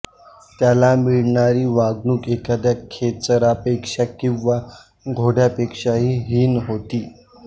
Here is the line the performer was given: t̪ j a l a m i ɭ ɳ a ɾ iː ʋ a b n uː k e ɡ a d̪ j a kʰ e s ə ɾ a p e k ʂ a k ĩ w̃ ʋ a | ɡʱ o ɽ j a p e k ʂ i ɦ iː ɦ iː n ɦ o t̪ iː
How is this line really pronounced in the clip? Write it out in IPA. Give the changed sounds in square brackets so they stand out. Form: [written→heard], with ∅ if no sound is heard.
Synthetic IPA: t̪ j a l a m i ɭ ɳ a ɾ iː ʋ a [b→ɡ] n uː k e [ɡ→k] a d̪ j a kʰ e [s→t͡s] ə ɾ a p e k ʂ a k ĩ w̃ ʋ a | ɡʱ o ɽ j a p e k ʂ [i→a] ɦ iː ɦ iː n ɦ o t̪ iː